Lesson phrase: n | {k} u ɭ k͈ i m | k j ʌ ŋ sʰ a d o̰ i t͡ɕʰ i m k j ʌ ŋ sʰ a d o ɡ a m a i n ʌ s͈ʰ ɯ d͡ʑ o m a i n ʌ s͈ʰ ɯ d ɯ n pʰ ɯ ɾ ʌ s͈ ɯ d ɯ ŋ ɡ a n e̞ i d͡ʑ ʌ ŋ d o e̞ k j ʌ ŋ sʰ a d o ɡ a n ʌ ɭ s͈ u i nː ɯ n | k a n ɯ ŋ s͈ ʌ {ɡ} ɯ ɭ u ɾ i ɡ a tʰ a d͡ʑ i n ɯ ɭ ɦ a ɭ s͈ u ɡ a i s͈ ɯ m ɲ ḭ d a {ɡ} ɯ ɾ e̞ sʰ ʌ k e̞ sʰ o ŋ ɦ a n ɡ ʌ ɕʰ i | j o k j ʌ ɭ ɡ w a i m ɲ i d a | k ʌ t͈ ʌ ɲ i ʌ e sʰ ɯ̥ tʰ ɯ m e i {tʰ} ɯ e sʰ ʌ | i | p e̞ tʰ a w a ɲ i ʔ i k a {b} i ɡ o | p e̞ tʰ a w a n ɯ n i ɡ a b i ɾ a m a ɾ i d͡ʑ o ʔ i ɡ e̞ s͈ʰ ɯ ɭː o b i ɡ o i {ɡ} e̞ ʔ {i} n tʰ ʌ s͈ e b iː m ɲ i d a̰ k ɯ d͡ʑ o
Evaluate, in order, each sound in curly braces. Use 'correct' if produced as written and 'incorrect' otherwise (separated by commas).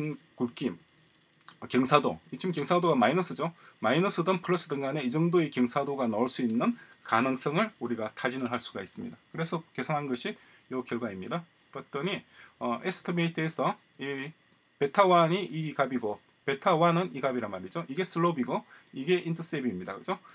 correct, incorrect, incorrect, correct, correct, correct, correct